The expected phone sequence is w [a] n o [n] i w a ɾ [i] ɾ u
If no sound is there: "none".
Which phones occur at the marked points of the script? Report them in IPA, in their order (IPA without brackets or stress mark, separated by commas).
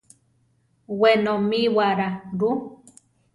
e, m, a